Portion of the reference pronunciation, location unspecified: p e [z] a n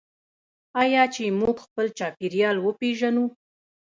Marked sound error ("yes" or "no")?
yes